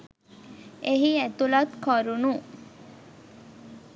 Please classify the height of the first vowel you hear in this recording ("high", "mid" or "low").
mid